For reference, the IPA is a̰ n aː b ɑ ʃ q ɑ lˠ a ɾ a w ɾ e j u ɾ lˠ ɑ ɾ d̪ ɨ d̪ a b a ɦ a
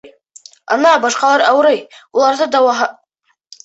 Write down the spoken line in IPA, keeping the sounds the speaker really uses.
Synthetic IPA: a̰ n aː b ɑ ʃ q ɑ lˠ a ɾ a w ɾ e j u lˠ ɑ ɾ d̪ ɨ d̪ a w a ɦ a

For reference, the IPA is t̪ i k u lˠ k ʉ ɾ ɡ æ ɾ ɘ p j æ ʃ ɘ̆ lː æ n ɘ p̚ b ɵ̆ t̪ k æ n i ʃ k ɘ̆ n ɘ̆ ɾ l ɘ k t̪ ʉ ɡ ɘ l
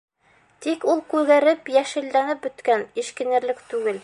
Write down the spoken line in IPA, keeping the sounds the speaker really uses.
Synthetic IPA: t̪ i k u lˠ k ʉ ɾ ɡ æ ɾ ɘ p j æ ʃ ɘ̆ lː æ n ɘ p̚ b ɵ̆ t̪ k æ n i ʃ k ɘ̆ n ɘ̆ ɾ l ɘ k t̪ ʉ ɡ ɘ l

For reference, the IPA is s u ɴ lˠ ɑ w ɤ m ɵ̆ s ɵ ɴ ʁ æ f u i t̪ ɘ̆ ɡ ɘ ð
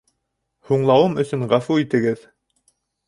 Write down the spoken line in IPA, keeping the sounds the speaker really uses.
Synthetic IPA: h u ɴ lˠ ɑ w ɤ m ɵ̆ s ɵ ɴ ʁ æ f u i t̪ ɘ̆ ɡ ɘ ð

